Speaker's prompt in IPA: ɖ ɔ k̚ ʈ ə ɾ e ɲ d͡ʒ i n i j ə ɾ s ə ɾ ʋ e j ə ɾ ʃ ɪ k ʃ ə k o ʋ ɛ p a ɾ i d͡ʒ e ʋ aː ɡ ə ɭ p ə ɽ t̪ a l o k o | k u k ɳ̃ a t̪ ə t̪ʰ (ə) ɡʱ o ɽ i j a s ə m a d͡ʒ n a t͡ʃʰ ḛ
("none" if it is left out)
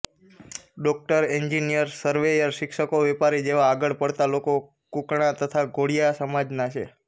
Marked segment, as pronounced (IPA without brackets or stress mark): a